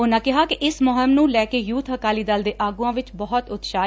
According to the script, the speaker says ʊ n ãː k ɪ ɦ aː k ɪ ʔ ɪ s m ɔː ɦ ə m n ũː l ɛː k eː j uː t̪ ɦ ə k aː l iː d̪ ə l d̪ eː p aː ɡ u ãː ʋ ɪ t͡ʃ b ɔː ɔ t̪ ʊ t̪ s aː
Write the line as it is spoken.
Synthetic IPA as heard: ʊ n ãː k ɪ ɦ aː k ɪ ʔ ɪ s m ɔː ɦ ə m n ũː l ɛː k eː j uː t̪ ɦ ə k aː l iː d̪ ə l d̪ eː ʔ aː ɡ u ãː ʋ ɪ t͡ʃ b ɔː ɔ t̪ ʊ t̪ ʃ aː